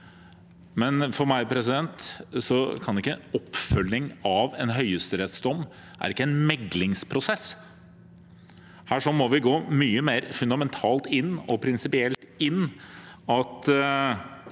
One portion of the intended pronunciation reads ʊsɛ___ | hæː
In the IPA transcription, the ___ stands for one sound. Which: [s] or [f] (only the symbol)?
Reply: s